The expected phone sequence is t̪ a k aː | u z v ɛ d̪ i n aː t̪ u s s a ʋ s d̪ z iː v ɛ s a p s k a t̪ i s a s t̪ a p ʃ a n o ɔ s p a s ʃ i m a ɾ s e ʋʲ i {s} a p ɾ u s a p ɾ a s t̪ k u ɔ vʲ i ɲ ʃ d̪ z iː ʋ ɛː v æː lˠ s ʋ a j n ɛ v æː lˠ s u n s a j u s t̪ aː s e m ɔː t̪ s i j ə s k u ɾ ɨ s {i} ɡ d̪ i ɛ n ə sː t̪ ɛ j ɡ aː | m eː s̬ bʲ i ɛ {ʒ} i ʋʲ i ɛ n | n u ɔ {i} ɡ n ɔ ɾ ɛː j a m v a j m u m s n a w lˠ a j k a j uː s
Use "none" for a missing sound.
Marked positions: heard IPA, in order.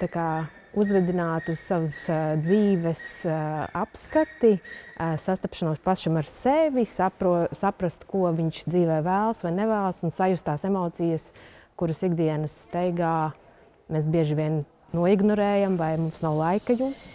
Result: s, i, ʒ, i

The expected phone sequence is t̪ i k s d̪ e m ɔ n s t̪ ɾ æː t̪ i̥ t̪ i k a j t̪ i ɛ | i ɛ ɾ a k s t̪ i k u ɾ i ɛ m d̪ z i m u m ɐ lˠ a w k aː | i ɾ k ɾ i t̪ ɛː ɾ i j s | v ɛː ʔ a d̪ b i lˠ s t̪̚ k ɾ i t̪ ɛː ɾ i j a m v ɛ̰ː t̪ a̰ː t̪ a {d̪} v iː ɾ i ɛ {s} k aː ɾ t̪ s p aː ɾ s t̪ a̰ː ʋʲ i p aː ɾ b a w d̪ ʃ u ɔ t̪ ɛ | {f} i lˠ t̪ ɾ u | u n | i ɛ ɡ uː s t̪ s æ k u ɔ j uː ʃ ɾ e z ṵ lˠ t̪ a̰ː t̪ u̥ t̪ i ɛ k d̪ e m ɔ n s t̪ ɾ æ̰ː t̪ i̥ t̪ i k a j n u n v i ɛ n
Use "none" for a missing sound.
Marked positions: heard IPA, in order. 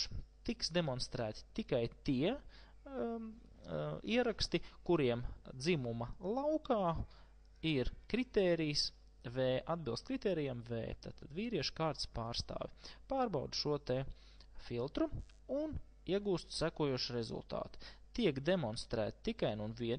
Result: d̪, ʃ, f

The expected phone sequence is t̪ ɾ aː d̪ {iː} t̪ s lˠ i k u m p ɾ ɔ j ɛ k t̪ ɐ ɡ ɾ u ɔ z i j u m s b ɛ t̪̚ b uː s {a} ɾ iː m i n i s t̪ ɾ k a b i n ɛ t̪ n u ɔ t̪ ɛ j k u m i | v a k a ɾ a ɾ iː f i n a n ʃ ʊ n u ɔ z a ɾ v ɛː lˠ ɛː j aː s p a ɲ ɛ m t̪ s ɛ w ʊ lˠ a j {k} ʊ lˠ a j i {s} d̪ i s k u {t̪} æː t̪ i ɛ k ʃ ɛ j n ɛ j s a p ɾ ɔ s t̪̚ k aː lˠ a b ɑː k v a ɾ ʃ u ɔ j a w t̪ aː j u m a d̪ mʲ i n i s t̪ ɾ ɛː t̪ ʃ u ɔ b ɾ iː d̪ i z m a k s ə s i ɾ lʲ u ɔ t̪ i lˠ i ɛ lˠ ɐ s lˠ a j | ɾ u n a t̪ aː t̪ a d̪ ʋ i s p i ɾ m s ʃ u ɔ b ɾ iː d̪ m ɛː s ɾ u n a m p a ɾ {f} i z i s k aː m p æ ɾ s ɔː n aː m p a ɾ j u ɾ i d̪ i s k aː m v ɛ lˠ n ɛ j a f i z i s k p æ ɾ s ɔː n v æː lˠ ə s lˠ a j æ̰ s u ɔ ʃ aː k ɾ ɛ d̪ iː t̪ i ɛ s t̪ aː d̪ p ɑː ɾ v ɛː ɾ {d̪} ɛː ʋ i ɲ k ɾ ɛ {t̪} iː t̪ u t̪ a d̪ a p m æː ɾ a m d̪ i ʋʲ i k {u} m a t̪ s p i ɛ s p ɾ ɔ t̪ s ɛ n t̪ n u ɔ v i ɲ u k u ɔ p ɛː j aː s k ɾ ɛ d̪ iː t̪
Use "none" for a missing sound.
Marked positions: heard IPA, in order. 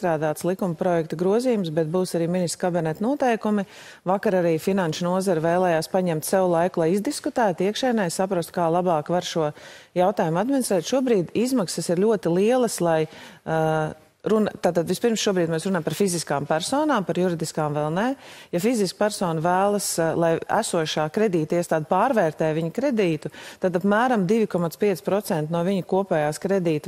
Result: aː, a, k, z, t̪, f, t̪, d̪, ɔ

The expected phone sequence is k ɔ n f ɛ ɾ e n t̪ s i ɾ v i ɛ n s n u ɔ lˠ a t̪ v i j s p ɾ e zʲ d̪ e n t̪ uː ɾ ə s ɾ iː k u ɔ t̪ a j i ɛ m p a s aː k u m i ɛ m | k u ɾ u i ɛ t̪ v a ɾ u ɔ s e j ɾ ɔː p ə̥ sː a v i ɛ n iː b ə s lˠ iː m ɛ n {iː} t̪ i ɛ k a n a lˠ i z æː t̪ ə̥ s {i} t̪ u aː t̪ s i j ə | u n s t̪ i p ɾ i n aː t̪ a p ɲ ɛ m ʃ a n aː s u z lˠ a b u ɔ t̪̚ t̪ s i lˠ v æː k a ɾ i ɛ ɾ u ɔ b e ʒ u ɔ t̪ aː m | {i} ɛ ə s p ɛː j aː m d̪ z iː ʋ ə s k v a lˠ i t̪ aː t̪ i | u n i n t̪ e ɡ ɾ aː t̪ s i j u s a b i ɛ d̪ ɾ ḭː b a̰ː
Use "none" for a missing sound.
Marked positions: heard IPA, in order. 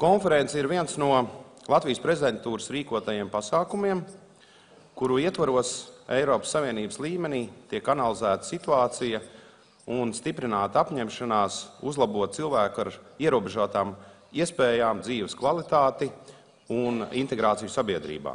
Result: iː, i, i

